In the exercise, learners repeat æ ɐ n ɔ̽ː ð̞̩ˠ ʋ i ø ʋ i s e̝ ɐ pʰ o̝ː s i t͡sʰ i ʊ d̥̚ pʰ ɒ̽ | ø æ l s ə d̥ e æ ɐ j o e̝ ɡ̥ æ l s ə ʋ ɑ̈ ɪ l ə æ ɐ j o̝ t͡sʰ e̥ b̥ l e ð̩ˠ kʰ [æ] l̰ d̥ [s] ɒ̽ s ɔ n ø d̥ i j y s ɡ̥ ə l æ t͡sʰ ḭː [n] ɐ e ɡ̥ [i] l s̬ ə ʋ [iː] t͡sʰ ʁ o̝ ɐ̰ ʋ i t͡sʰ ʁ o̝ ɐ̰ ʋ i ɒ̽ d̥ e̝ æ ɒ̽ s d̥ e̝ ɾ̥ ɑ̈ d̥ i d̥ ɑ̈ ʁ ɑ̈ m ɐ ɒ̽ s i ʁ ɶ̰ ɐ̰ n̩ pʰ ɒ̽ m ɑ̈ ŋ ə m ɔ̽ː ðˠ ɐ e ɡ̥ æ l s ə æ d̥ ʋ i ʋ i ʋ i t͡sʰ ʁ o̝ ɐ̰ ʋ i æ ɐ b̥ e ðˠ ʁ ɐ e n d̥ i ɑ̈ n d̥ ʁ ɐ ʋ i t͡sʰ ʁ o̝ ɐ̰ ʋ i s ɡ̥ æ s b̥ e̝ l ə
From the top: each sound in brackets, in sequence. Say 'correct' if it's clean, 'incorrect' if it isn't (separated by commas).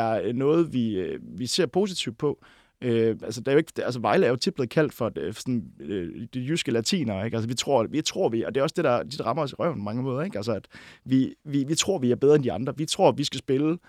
correct, incorrect, correct, incorrect, incorrect